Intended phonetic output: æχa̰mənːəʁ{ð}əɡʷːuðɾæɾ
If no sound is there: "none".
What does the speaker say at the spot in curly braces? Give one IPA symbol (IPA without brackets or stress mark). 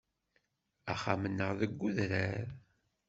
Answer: ð